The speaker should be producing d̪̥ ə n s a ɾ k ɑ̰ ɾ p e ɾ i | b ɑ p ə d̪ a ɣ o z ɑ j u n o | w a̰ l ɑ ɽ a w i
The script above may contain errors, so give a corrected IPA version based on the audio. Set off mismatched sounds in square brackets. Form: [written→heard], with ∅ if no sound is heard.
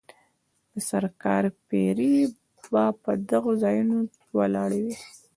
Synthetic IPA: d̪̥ ə [n→∅] s a ɾ k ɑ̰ ɾ p e ɾ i | b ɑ p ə d̪ a ɣ o z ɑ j u n o | w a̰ l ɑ ɽ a w i